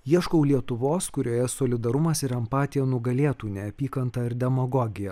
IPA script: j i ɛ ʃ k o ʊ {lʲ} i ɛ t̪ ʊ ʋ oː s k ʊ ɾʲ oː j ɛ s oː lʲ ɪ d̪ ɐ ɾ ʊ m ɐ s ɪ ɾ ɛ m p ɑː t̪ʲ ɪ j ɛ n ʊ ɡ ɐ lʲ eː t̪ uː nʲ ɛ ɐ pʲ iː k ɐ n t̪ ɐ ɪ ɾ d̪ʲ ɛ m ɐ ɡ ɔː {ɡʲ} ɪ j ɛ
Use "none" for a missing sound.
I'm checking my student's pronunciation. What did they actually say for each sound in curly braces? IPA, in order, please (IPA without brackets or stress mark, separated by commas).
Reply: lʲ, ɡʲ